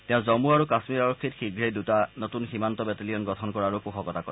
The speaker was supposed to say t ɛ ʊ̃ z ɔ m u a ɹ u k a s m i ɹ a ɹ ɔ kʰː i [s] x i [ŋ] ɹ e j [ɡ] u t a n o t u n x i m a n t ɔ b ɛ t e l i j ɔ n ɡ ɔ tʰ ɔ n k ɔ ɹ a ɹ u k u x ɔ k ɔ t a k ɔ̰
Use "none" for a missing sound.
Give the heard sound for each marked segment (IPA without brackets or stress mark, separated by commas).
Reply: t, ɡ, d